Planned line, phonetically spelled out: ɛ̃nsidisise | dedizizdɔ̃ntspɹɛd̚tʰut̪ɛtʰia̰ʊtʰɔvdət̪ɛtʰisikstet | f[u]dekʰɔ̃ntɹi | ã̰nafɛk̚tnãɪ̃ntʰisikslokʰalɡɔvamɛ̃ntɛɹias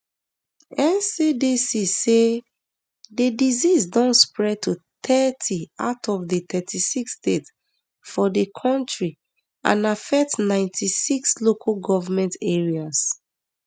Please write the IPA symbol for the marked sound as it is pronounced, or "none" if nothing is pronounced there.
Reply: ɔ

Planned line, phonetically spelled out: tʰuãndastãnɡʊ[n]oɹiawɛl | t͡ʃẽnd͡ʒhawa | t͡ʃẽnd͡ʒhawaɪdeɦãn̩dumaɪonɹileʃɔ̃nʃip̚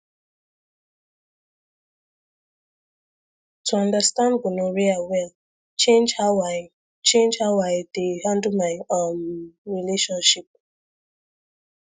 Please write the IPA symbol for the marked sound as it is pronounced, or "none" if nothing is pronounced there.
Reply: n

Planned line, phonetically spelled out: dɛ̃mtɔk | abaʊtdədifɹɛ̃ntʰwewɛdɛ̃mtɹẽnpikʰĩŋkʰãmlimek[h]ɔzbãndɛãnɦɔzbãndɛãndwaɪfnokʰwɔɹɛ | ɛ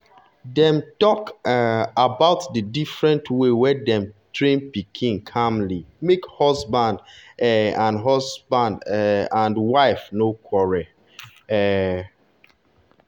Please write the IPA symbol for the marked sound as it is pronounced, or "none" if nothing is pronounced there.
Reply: h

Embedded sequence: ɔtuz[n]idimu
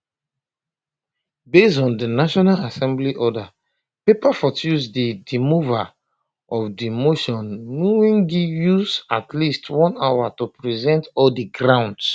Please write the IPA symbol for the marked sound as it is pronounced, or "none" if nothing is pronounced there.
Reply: d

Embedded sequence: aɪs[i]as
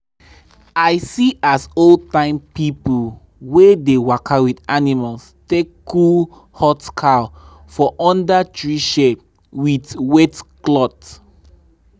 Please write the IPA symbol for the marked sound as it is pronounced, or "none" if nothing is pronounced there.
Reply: i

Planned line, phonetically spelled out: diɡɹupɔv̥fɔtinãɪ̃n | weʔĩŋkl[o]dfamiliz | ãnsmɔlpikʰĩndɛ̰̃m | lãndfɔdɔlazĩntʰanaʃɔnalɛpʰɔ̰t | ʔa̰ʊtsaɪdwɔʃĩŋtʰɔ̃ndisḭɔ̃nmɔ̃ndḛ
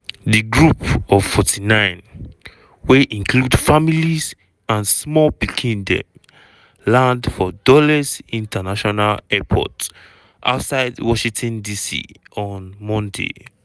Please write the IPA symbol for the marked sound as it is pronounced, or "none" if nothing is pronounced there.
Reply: u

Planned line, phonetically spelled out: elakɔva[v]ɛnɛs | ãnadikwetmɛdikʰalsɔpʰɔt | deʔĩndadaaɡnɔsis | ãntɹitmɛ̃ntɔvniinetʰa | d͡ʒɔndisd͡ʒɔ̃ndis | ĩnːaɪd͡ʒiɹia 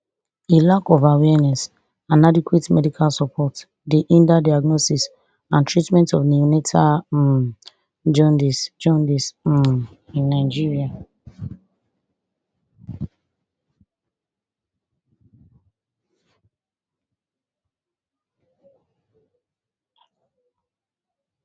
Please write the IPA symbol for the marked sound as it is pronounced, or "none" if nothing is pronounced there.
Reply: w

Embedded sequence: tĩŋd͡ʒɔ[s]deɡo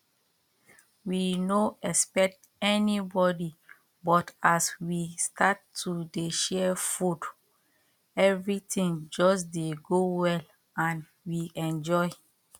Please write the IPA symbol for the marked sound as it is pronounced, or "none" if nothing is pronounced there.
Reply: s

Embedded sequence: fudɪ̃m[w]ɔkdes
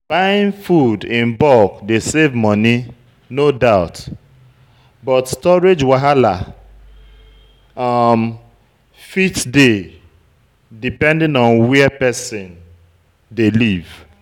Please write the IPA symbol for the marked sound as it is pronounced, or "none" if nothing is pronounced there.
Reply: b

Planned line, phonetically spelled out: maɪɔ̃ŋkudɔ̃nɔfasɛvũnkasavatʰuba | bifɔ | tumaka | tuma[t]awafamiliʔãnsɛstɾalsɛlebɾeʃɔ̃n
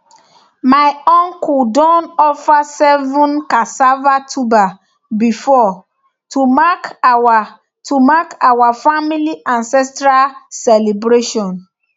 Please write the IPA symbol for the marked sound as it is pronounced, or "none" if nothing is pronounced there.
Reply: k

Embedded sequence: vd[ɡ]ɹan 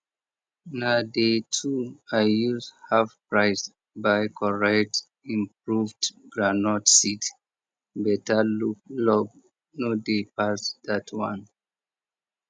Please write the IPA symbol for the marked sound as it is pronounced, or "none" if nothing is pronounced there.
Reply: ɡ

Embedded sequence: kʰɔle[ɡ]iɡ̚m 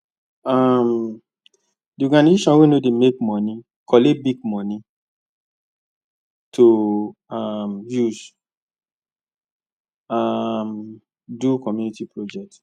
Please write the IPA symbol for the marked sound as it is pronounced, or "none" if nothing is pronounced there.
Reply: b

